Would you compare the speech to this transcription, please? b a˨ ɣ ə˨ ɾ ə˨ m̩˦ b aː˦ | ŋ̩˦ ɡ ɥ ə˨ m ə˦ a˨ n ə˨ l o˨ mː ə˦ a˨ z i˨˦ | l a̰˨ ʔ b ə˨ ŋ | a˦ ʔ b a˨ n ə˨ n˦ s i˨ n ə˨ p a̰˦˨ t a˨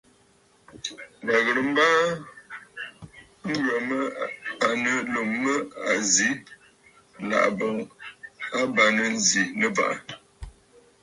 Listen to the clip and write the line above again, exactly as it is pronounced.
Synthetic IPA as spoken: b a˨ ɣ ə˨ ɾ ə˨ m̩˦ b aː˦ | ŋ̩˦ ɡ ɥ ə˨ m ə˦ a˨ n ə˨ l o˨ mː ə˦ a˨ z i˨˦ | l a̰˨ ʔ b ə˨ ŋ | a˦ b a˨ n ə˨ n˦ z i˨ n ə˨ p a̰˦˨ ʔ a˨